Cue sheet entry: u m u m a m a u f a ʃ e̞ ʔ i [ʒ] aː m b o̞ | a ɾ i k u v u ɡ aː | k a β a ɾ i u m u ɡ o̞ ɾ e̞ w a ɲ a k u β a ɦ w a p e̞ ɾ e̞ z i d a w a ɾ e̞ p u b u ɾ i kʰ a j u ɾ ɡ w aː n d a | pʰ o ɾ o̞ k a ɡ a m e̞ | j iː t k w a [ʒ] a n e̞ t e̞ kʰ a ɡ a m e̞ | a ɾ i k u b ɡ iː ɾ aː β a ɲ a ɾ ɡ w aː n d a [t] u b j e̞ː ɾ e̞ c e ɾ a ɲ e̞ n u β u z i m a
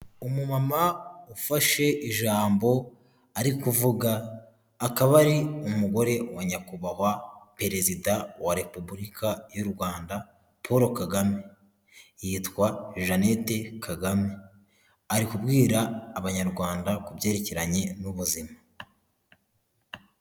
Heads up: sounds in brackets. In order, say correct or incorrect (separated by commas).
correct, correct, incorrect